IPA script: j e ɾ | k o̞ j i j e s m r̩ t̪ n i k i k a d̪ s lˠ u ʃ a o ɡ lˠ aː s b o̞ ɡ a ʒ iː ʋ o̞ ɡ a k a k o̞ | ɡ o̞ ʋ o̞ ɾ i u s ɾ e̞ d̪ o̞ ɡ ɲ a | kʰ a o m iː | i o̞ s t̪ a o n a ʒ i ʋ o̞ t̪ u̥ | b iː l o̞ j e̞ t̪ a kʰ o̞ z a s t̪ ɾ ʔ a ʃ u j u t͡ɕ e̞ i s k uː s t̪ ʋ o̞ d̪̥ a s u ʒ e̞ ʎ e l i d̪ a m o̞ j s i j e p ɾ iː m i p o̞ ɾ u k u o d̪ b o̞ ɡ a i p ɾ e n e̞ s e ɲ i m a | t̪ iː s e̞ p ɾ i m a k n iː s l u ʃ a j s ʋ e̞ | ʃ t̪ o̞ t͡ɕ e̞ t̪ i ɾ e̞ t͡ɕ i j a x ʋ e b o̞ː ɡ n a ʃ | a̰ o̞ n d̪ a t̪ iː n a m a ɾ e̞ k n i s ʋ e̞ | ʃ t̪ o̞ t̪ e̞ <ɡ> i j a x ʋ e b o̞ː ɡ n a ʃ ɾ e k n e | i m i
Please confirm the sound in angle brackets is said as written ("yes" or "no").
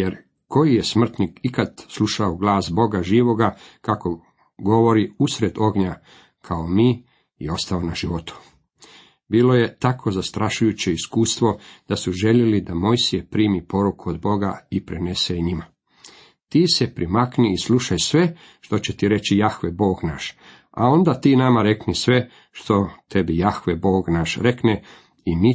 no